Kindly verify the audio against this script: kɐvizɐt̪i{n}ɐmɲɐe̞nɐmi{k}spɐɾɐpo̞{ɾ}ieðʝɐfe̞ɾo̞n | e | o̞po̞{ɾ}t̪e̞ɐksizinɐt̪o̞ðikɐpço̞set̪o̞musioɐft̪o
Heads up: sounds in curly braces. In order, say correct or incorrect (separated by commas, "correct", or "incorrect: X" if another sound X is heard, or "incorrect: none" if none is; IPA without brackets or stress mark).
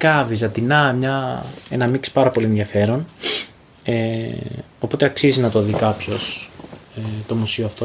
correct, correct, incorrect: l, incorrect: none